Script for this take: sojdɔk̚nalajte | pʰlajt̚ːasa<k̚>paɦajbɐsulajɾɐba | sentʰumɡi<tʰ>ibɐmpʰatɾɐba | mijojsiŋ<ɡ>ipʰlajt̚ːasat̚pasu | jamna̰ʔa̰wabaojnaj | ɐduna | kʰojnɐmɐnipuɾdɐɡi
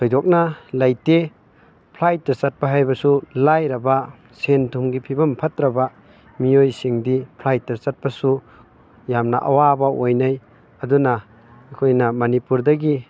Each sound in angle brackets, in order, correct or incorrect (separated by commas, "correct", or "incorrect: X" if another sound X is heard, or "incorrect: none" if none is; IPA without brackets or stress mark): incorrect: t̚, incorrect: pʰ, incorrect: d